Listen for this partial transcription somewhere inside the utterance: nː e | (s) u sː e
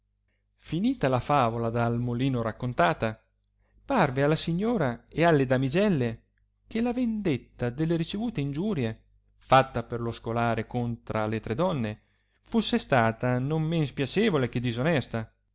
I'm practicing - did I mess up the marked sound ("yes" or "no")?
yes